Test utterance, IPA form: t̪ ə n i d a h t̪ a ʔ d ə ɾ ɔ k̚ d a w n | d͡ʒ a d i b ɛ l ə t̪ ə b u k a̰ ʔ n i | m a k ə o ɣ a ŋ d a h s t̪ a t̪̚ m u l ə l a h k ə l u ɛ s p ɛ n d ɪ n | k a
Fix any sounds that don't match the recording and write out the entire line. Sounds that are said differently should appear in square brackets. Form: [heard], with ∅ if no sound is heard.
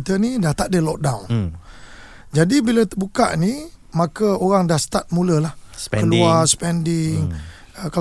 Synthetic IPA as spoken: t̪ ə n i d a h t̪ a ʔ d ə [l] ɔ k̚ d a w n | d͡ʒ a d i b [i] l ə t̪ ə b u k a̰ ʔ n i | m a k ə o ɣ a ŋ d a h s t̪ a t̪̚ m u l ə l a h k ə l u [a] s p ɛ n d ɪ [ŋ] | k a